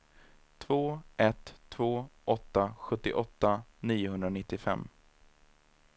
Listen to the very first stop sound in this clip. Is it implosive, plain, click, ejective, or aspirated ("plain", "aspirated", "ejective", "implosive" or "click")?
aspirated